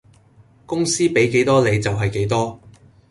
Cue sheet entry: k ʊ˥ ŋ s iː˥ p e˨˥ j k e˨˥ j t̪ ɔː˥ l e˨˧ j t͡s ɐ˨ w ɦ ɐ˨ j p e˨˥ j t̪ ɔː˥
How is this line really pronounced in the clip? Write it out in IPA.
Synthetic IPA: k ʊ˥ ŋ s iː˥ p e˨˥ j k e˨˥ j t̪ ɔː˥ l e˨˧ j t͡s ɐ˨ w ɦ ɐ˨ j k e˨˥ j t̪ ɔː˥

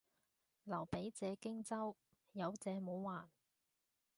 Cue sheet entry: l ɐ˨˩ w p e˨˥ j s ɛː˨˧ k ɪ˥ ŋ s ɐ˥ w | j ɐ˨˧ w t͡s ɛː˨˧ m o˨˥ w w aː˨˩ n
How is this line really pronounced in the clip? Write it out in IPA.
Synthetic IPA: l ɐ˨˩ w p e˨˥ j t͡s ɛː˨˧ k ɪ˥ ŋ t͡s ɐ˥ w | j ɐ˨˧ w t͡s ɛː˨˧ m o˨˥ w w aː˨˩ n

